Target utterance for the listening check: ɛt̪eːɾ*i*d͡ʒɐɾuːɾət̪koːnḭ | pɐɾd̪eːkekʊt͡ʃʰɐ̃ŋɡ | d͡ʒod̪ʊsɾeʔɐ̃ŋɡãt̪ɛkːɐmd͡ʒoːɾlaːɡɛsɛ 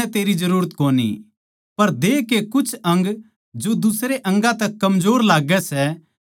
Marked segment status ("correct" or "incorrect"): correct